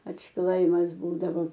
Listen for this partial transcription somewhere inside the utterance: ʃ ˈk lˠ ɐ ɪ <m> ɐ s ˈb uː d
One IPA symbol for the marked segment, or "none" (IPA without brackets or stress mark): m